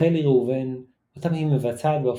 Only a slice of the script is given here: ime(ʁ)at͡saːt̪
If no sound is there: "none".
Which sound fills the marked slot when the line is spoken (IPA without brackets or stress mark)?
v